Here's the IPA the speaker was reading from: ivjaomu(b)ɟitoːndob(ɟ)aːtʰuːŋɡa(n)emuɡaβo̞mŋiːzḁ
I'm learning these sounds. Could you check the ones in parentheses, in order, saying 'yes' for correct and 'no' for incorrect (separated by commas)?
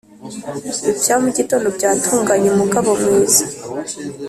no, yes, no